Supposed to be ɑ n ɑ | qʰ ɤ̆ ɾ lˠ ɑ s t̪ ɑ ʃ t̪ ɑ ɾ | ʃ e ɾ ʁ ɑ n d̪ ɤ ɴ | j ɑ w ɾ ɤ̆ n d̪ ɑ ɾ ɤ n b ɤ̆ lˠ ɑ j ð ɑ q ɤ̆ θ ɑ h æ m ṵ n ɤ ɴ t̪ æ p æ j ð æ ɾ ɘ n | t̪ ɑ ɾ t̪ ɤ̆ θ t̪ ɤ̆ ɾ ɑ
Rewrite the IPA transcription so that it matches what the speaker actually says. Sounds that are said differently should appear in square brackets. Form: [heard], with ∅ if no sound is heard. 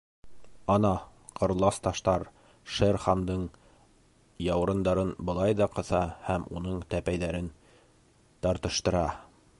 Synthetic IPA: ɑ n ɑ | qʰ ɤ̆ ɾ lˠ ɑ s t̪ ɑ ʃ t̪ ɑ ɾ | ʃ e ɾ [χ] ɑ n d̪ ɤ ɴ | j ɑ w ɾ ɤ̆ n d̪ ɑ ɾ ɤ n b ɤ̆ lˠ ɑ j ð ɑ q ɤ̆ θ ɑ h æ m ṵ n ɤ ɴ t̪ æ p æ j ð æ ɾ ɘ n | t̪ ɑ ɾ t̪ ɤ̆ [ʃ] t̪ ɤ̆ ɾ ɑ